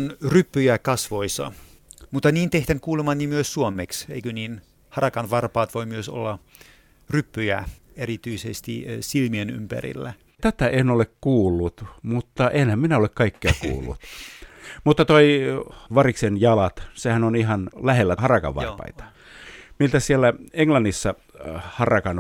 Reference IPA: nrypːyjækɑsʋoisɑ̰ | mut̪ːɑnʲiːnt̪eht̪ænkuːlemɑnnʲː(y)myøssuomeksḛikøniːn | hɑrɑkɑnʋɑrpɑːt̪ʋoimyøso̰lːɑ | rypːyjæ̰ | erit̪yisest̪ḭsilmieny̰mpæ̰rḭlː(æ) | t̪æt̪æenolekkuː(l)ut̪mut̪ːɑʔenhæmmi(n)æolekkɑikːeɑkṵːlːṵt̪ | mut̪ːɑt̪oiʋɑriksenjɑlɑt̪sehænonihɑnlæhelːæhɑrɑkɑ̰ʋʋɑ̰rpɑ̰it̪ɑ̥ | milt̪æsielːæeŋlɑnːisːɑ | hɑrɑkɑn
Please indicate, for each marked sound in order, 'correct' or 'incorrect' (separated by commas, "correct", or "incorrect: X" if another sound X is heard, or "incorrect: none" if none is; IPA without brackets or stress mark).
incorrect: i, correct, incorrect: lː, correct